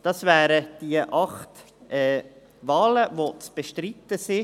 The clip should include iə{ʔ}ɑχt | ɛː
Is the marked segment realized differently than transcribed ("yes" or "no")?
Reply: no